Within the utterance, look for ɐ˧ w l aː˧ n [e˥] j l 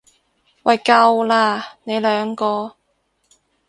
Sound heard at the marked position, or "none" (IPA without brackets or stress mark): e˨˧